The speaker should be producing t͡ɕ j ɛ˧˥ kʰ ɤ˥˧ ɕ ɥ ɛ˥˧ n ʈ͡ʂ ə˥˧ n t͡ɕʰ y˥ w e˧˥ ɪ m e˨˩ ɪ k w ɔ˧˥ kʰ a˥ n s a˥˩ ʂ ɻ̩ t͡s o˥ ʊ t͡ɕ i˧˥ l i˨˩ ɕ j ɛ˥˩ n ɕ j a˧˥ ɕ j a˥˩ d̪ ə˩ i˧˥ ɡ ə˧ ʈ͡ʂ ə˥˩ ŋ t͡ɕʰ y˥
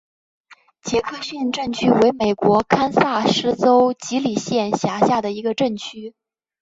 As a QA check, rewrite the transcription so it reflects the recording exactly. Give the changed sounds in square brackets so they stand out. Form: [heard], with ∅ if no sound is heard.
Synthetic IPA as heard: t͡ɕ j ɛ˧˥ kʰ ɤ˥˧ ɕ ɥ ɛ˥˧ n ʈ͡ʂ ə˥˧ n t͡ɕʰ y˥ w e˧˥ ɪ m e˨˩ ɪ k w ɔ˧˥ kʰ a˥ n s a˥˩ ʂ ɻ̩ t͡s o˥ ʊ t͡ɕ i˧˥ l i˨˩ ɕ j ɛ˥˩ n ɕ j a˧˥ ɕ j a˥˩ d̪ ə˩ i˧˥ ɡ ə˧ ʈ͡ʂ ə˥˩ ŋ t͡ɕʰ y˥